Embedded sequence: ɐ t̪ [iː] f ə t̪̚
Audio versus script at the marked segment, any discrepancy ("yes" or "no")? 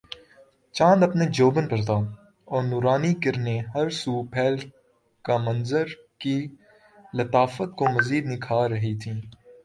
yes